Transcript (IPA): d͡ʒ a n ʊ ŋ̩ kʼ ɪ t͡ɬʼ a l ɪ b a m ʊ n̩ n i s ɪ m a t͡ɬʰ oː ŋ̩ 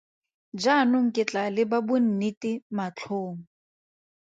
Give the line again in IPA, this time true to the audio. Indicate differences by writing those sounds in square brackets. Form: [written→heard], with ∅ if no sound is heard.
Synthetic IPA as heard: d͡ʒ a n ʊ ŋ̩ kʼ ɪ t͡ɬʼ a l ɪ b a [m→b] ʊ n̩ n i [s→t] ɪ m a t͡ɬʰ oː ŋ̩